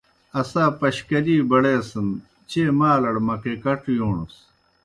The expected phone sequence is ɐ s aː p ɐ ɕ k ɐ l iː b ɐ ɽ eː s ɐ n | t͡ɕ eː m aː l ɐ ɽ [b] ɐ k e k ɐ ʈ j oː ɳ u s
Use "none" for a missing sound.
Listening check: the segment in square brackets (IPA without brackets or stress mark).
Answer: m